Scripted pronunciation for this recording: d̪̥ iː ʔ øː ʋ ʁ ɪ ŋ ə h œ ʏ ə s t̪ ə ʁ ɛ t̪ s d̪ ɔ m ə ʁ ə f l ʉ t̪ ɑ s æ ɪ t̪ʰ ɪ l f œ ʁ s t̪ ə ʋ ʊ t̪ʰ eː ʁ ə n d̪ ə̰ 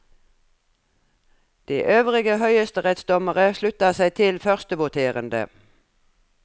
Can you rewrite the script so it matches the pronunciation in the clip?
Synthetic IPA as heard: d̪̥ iː ʔ øː ʋ ʁ ɪ ɡ ə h œ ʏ ə s t̪ ə ʁ ɛ t̪ s d̪ ɔ m ə ʁ ə ʃ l ʉ t̪ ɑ s æ ɪ t̪ʰ ɪ l f œ ʁ s t̪ ə ʋ ʊ t̪ʰ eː ʁ ə n d̪ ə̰